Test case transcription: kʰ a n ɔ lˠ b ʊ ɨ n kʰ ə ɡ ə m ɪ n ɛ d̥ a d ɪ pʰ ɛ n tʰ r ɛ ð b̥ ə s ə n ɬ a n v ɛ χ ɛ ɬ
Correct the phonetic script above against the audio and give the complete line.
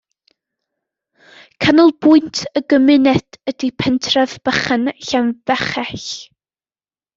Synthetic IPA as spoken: kʰ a n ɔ lˠ b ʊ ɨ n tʰ ə ɡ ə m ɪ n ɛ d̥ ə d i pʰ ɛ n tʰ r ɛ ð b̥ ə χ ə n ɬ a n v ɛ χ ɛ ɬ